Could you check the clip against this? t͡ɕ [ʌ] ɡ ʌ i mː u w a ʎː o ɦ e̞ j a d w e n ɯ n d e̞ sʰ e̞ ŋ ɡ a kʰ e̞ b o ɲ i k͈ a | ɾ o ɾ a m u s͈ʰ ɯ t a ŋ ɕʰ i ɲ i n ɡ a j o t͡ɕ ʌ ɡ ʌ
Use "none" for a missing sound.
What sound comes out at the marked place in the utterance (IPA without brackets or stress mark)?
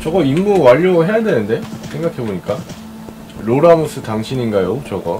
ʌ